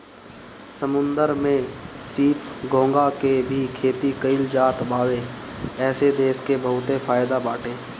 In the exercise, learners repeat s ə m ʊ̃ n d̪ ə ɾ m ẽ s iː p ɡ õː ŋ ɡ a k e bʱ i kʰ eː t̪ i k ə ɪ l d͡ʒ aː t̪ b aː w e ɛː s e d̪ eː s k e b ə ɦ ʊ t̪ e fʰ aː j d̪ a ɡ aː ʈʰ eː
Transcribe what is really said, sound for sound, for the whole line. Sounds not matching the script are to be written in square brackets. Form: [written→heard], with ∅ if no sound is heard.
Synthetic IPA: s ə m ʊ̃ n d̪ ə ɾ m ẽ s iː p ɡ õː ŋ ɡ a k e bʱ i kʰ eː t̪ i k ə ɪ l d͡ʒ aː t̪ b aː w e ɛː s e d̪ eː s k e b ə ɦ ʊ t̪ e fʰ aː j d̪ a [ɡ→b] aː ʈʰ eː